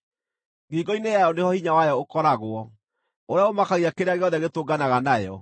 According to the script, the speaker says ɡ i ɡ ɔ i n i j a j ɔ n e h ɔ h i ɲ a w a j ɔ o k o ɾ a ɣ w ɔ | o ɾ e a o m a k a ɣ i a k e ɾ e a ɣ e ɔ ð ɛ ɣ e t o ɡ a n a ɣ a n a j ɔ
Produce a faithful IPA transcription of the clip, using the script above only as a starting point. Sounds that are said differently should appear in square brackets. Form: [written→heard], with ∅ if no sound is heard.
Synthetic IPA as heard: ɡ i ɡ ɔ i n [i→e] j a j ɔ n e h ɔ h i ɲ a w a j ɔ o k [o→ɔ] ɾ a ɣ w ɔ | o ɾ e a o m a k a ɣ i a k e ɾ e a ɣ e ɔ ð ɛ ɣ e t o ɡ a n a ɣ a n a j ɔ

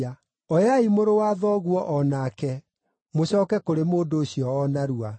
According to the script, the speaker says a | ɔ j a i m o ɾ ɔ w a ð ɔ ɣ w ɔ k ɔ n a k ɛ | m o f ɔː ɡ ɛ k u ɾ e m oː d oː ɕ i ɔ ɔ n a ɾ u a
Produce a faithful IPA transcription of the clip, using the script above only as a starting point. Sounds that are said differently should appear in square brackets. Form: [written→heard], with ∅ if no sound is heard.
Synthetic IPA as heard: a | ɔ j a i m o ɾ [ɔ→o] w a ð ɔ ɣ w ɔ [k→ʔ] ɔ n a k ɛ | m o [f→ɕ] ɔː [ɡ→k] ɛ k [u→o] ɾ e m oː d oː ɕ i ɔ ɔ n a ɾ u a

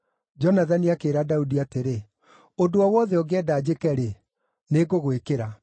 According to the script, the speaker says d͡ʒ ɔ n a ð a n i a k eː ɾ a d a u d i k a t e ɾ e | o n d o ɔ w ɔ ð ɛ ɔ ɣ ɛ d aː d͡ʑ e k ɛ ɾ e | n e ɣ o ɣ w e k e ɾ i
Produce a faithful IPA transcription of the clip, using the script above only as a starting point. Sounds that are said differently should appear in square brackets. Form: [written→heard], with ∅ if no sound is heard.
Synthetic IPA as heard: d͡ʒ ɔ n a ð a n i a k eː ɾ a d a u d i [k→∅] a t e ɾ e | o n d o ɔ w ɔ ð ɛ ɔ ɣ ɛ d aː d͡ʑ e k ɛ ɾ e | n e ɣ o ɣ w e k e ɾ [i→a]

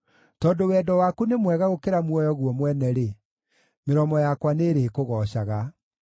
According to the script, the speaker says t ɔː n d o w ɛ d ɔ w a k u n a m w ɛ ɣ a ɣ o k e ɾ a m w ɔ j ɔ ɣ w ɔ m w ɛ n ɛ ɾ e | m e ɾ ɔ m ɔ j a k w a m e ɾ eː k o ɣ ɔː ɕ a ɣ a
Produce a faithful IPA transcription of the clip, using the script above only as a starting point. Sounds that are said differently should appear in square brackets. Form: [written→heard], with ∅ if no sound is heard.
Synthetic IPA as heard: t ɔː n d o w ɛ d ɔ w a k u n [a→e] m w ɛ ɣ a ɣ o k e ɾ a m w ɔ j ɔ ɣ w ɔ m w ɛ n ɛ ɾ e | m e ɾ ɔ m ɔ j a k w a [m→n] e ɾ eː k o ɣ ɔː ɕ a ɣ a

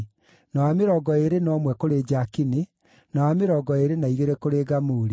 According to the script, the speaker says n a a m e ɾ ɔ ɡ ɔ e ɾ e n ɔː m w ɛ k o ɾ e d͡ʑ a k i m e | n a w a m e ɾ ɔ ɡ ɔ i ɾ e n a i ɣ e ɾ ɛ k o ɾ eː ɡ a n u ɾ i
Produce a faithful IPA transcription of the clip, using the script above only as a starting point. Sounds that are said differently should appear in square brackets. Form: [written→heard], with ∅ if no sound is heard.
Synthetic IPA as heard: n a a m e ɾ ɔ ɡ ɔ e ɾ e n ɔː m w ɛ k o ɾ e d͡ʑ a k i [m→n] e | n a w a m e ɾ ɔ ɡ ɔ [i→e] ɾ e n a i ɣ e ɾ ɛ k o ɾ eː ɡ a [n→m] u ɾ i

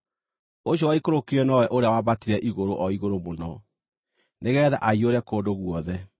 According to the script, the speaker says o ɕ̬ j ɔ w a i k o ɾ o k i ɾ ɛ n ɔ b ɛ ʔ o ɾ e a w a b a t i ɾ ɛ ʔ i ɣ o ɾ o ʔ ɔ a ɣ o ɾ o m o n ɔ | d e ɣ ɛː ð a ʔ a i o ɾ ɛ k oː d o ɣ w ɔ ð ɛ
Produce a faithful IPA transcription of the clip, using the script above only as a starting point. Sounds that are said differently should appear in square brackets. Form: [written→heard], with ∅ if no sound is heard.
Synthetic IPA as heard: o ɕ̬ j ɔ w a i k o ɾ o k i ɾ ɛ n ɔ [b→w] ɛ ʔ o ɾ e a w a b a t i ɾ ɛ ʔ i ɣ o ɾ o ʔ ɔ [a→i] ɣ o ɾ o m o n ɔ | [d→n] e ɣ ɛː ð a ʔ a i o ɾ ɛ k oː d o ɣ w ɔ ð ɛ

